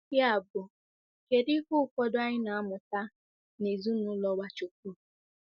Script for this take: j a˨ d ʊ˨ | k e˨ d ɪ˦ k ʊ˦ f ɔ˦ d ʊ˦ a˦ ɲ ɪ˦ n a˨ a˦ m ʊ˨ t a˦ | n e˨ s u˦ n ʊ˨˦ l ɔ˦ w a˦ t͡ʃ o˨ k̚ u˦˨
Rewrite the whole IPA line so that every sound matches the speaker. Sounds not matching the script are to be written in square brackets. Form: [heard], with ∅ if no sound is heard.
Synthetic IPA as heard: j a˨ [b] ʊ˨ | k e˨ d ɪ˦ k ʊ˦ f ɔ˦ d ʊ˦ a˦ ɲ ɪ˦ n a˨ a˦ m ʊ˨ t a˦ | n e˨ [z] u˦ n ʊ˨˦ l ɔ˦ w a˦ t͡ʃ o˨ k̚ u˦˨